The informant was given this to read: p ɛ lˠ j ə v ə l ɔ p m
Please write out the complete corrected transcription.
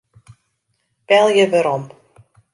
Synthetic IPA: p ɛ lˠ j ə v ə ɾ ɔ m